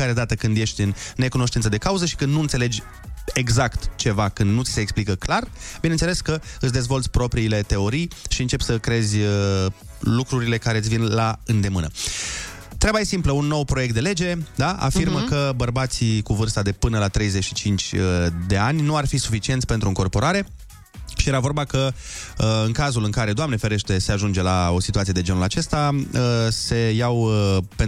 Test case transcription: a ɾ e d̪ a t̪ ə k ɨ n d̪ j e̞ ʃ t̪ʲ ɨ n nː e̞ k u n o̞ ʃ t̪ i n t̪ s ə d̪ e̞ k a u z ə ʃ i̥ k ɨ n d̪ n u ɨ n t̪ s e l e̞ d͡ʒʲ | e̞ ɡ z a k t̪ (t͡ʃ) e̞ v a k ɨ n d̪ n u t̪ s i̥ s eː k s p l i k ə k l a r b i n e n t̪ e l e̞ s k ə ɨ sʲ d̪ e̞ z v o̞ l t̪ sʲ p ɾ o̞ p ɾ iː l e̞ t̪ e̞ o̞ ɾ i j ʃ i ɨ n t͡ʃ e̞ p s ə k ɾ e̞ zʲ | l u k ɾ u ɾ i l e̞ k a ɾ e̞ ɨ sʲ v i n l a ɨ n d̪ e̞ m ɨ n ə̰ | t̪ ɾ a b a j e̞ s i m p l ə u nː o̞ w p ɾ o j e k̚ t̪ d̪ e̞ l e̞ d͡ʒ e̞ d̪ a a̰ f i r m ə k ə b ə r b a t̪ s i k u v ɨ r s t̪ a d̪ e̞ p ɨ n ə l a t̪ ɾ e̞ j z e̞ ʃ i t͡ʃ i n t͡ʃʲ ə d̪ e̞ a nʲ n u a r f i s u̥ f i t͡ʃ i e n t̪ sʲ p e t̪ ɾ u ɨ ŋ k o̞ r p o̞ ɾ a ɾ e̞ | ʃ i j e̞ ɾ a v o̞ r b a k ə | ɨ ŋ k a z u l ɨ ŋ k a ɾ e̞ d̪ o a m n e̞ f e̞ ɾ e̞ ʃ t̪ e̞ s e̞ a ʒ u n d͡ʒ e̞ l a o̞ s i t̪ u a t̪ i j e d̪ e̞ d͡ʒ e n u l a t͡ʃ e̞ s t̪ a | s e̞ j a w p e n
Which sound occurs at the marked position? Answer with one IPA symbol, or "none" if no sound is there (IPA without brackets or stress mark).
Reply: t͡ʃ